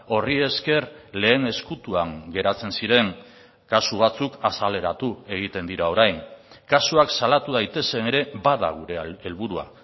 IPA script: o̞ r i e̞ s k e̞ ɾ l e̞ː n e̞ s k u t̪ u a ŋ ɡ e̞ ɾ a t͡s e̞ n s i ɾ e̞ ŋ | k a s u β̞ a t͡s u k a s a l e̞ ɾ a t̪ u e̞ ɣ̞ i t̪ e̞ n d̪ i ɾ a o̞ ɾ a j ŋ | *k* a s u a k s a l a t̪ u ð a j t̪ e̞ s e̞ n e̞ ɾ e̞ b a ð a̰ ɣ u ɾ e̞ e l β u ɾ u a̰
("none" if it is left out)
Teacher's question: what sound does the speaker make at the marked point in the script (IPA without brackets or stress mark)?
k